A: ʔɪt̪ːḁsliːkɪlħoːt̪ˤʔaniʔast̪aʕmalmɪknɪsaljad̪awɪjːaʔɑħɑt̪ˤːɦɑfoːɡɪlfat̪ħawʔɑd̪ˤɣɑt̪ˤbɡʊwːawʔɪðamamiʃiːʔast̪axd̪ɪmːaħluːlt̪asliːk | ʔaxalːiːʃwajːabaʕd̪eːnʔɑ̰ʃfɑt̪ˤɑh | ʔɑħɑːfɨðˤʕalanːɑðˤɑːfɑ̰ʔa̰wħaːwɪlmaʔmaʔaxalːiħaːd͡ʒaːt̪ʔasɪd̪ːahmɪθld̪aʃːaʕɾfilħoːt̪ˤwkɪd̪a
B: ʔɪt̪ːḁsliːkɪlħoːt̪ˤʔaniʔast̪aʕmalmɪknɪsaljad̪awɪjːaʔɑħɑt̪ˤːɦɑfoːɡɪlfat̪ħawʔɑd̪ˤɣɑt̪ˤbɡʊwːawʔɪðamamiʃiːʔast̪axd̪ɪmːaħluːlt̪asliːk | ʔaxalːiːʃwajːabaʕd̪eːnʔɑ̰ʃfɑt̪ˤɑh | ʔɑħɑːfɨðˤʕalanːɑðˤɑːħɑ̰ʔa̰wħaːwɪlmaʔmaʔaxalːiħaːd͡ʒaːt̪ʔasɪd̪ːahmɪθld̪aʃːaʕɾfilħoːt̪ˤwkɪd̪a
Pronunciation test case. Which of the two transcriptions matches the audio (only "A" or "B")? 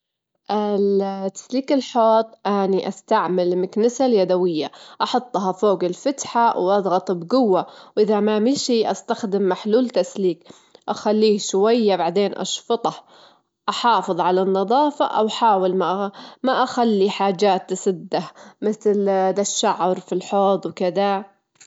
A